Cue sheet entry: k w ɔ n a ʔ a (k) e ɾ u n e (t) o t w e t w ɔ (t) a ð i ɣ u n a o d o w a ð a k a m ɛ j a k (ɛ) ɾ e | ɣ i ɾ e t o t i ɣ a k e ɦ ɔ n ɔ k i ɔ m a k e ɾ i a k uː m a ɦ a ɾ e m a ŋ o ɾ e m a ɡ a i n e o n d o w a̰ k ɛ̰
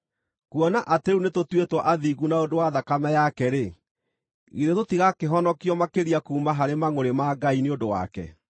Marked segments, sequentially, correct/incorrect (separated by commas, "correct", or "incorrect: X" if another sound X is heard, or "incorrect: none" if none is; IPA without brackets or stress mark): incorrect: t, correct, incorrect: ʔ, correct